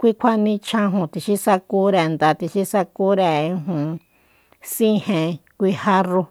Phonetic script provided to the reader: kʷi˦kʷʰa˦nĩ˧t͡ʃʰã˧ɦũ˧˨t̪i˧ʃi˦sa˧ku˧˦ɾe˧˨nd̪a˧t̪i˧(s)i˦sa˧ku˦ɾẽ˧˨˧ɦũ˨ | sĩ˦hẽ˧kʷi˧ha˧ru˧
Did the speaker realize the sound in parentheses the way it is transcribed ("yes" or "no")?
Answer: no